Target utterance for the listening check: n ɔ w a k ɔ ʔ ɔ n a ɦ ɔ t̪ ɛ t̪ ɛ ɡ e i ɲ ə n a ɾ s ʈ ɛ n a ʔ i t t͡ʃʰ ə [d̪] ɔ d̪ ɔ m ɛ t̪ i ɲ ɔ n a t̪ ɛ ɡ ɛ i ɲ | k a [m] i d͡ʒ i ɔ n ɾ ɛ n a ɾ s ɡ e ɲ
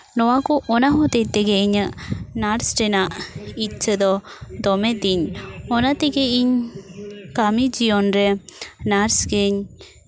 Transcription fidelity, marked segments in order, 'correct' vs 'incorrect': correct, correct

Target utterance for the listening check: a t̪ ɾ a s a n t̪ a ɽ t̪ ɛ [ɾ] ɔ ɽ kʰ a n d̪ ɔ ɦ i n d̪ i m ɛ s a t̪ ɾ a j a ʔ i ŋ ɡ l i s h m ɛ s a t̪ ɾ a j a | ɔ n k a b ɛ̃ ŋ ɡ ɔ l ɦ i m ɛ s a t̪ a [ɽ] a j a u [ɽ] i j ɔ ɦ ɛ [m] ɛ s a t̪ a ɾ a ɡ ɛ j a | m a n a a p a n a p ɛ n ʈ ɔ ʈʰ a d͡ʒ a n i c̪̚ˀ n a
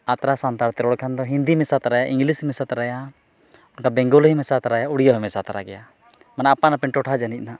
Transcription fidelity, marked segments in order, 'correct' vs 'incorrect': correct, incorrect: ɾ, correct, correct

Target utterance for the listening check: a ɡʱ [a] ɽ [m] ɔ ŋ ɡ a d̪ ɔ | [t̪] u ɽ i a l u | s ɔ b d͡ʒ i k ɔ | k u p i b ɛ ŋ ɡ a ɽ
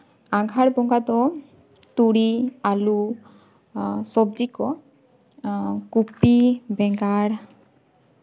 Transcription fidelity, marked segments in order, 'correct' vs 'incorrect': correct, incorrect: b, correct

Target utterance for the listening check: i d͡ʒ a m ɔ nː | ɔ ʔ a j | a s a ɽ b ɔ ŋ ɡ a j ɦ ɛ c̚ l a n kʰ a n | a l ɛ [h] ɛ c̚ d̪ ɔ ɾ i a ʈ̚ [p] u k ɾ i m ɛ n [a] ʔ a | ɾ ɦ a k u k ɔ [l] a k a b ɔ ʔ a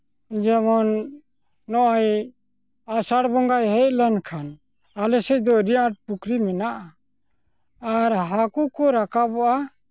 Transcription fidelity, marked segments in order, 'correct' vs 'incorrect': incorrect: s, correct, correct, incorrect: ɾ

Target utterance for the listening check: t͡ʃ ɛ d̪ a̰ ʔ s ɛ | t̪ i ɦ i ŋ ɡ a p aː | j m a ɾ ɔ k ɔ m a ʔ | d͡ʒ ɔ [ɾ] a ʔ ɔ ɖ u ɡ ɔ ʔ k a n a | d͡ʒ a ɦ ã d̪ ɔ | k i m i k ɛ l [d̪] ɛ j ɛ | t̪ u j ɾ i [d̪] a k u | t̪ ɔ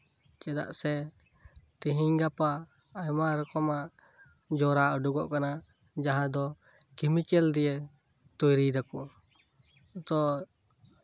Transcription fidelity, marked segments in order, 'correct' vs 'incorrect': correct, correct, correct

